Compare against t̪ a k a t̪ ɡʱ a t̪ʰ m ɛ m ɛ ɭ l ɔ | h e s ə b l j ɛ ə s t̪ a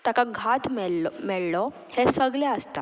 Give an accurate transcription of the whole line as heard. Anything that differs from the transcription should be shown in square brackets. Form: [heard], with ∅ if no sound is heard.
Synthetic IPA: t̪ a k a [∅] ɡʱ a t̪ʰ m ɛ m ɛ ɭ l ɔ | h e s ə [ɡ] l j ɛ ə s t̪ a